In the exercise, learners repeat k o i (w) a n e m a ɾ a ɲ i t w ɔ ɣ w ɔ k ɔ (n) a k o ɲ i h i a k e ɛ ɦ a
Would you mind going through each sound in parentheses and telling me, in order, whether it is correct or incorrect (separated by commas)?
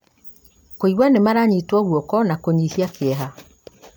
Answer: correct, correct